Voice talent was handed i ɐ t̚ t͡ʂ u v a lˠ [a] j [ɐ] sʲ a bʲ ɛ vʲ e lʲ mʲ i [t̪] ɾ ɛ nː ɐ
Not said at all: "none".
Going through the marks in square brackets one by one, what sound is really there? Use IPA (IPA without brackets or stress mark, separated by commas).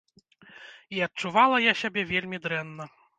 ɐ, a, d̪